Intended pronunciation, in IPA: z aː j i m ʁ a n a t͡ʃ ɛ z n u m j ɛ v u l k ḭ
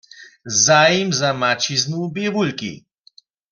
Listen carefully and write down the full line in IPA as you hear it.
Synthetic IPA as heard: z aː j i m z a m a t͡ʃ i z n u b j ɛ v u l k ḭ

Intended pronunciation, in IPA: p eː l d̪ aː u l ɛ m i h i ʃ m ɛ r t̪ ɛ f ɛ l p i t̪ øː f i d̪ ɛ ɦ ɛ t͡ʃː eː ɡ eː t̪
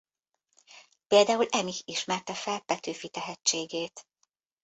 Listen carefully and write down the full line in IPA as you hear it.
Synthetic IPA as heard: p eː l d̪ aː u l ɛ m i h i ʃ m ɛ r t̪ ɛ f ɛ l p ɛ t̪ øː f i t̪ ɛ ɦ ɛ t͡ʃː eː ɡ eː t̪

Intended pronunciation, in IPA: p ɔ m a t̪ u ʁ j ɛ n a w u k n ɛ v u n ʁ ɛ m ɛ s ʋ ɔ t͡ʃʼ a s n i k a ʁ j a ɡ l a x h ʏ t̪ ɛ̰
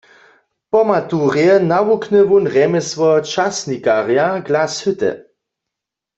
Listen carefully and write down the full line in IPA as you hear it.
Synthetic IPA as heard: p ɔ m a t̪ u ʁ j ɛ n a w u k n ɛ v u n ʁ ɛ m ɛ s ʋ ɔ t͡ʃ a s n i k a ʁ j a ɡ l a s h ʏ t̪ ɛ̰

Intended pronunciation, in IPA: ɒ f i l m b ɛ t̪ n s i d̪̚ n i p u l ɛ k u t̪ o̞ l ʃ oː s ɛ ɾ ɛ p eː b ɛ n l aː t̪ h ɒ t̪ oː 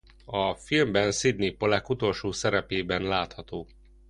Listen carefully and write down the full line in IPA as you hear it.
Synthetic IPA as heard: ɒ f i l m b ɛ n s i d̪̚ n i p o l ɛ k u t̪ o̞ l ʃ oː s ɛ ɾ ɛ p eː b ɛ n l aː t̪ h ɒ t̪ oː

